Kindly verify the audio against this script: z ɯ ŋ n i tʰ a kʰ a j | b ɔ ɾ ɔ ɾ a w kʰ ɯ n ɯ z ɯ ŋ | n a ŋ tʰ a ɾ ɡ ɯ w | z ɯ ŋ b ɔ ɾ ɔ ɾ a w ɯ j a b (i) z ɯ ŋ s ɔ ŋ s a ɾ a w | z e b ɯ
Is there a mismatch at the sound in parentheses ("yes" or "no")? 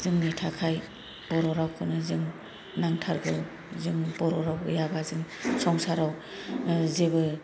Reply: yes